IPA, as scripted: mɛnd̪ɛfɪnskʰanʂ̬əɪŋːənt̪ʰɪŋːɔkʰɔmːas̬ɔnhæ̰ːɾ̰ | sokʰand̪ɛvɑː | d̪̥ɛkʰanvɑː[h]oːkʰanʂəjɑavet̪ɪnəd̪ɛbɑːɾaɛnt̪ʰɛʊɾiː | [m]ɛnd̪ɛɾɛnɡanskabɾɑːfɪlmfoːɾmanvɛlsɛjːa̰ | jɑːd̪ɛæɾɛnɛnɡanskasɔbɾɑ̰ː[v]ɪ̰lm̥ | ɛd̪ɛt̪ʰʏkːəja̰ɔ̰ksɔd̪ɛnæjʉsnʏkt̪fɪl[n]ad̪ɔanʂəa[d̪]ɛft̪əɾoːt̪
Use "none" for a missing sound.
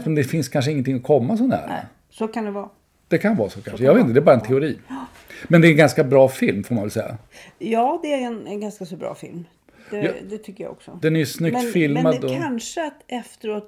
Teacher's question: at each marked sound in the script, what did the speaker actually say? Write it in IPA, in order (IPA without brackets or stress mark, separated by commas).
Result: s, m, f, m, t̪